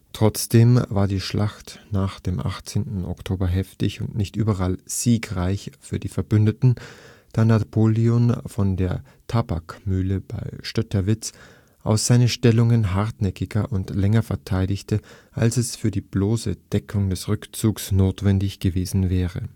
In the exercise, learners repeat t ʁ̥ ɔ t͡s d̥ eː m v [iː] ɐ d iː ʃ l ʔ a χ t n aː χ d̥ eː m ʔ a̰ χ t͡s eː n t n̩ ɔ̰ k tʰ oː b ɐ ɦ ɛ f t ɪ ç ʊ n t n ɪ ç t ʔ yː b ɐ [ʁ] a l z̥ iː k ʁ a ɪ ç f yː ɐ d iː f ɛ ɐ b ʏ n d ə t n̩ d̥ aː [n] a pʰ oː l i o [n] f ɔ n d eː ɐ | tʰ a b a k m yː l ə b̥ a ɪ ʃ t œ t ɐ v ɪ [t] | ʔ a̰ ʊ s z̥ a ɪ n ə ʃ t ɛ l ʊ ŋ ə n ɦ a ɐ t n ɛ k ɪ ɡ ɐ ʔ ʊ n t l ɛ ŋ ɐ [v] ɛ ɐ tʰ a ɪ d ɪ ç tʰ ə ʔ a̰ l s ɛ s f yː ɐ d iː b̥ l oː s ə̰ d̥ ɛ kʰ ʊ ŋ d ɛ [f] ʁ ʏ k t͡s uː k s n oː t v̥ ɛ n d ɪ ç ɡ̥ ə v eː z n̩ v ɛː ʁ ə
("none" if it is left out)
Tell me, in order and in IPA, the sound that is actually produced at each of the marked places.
aː, ʁ, n, n, t͡s, f, s

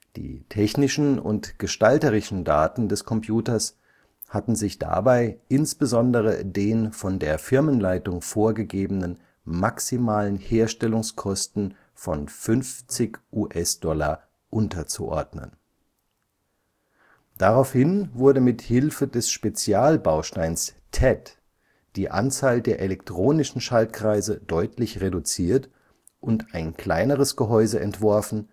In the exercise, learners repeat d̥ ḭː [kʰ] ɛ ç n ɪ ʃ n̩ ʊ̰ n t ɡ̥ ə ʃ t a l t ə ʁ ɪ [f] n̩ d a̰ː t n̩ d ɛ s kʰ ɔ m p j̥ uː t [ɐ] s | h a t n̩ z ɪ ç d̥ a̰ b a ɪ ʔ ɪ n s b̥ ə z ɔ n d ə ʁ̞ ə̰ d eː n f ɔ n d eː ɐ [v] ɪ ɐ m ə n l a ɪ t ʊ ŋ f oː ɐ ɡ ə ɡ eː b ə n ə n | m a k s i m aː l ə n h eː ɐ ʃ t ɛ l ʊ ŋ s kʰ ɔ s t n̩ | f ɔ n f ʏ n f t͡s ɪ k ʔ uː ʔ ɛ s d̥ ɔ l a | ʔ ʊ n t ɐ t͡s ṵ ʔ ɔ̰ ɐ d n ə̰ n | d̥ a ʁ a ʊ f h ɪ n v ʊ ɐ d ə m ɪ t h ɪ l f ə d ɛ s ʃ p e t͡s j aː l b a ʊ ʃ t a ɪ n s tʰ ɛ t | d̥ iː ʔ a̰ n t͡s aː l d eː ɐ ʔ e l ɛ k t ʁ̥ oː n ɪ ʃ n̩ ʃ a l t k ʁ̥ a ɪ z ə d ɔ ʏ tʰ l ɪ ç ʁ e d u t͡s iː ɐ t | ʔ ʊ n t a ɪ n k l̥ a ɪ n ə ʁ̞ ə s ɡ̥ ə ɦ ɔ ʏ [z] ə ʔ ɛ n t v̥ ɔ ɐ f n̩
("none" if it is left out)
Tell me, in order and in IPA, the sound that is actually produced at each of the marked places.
tʰ, ʃ, ɐ, f, z

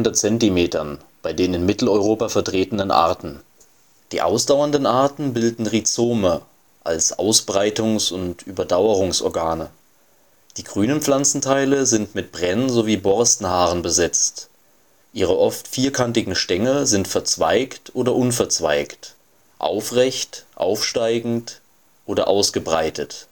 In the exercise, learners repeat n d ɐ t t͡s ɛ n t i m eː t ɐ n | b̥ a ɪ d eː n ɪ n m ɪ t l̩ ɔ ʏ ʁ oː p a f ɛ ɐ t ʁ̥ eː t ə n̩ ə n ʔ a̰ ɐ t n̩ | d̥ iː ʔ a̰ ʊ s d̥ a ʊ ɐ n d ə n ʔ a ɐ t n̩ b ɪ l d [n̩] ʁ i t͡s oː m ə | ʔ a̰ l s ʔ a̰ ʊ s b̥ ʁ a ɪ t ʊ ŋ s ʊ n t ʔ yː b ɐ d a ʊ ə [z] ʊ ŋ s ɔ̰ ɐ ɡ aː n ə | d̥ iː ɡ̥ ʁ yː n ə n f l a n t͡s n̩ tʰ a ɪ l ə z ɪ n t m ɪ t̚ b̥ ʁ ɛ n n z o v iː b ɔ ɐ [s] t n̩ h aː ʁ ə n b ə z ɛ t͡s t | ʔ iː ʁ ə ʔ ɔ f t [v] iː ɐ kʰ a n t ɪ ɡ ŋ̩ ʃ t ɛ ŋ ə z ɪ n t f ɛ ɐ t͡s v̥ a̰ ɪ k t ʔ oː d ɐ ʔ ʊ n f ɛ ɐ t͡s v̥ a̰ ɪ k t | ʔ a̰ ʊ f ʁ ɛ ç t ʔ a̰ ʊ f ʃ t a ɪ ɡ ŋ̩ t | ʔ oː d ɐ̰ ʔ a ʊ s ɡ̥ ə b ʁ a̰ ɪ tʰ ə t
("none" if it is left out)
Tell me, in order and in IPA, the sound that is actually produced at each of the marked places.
n̩, ʁ, s, f

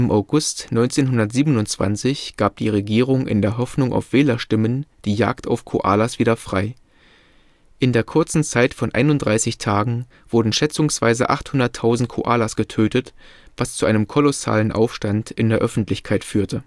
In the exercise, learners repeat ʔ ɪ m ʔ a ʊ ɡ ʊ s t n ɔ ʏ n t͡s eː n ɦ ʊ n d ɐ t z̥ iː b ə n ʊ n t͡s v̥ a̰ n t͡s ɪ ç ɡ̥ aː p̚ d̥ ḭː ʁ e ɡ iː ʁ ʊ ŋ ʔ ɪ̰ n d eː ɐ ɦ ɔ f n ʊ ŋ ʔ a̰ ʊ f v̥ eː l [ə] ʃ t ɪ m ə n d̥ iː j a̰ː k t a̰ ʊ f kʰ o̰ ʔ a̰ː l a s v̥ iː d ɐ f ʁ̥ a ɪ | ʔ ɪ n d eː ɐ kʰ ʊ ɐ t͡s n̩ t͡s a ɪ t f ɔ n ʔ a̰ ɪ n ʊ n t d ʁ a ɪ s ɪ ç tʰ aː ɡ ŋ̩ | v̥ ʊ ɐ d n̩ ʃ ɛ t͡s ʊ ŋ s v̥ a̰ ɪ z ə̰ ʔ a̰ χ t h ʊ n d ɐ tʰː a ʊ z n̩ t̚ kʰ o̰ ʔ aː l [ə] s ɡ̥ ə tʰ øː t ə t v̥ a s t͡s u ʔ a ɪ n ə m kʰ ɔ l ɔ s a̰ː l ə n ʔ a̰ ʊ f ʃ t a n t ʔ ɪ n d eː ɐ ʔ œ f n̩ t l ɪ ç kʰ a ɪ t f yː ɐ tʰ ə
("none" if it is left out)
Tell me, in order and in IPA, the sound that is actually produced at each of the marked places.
ɐ, a

